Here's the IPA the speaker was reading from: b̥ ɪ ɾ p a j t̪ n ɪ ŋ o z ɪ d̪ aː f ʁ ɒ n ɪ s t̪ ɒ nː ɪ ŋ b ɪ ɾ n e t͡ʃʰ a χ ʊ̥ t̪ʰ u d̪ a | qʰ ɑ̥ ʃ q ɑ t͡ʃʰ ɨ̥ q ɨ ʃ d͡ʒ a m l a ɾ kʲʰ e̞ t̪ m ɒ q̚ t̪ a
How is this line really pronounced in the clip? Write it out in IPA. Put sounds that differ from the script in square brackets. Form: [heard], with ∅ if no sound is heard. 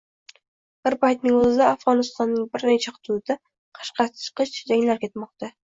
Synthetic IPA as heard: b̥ ɪ ɾ p a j t̪ n ɪ ŋ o z ɪ d̪ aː f ʁ ɒ n ɪ s t̪ ɒ nː ɪ ŋ b ɪ ɾ n e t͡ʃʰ a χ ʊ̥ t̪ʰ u d̪ a | qʰ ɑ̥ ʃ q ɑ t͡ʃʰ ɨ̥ q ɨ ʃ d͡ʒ a [ŋ] l a ɾ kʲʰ e̞ t̪ m ɒ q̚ t̪ a